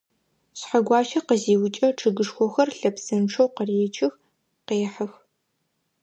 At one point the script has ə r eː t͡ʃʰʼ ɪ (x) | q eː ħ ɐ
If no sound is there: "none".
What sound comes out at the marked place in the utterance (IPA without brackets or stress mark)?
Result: x